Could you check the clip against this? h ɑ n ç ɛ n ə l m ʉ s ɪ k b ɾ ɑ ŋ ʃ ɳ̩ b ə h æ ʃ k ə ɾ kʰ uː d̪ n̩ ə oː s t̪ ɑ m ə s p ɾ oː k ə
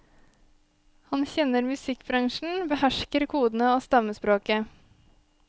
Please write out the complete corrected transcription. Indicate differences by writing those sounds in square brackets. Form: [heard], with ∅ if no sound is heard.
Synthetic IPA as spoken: h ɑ n ç ɛ n ə [ɾ] m ʉ s ɪ k b ɾ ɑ ŋ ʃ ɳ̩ b ə h æ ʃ k ə ɾ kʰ uː d̪ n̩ ə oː s t̪ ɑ m ə s p ɾ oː k ə